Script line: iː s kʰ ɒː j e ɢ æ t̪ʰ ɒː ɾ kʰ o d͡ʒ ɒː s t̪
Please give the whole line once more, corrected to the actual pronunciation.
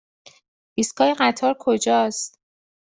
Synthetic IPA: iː s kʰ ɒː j e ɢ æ t̪ʰ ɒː ɾ kʰ o d͡ʒ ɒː s t̪